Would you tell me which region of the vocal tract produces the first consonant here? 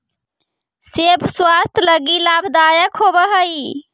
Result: tongue tip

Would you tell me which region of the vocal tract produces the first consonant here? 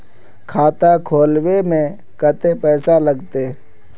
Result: velum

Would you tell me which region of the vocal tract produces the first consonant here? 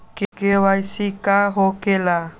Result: velum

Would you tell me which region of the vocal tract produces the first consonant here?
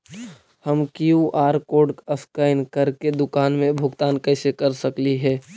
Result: throat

